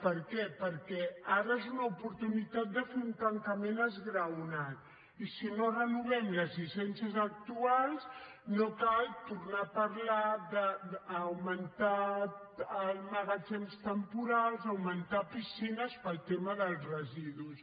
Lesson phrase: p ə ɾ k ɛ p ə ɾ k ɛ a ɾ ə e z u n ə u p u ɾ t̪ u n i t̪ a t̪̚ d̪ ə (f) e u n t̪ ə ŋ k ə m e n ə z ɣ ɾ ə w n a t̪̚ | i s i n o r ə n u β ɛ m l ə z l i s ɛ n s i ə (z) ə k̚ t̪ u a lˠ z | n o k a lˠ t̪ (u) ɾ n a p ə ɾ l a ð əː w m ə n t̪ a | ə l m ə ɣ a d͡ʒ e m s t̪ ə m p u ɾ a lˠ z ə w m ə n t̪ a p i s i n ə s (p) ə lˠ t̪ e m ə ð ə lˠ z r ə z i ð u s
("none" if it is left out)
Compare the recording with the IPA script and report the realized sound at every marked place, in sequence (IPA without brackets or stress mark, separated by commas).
f, z, u, p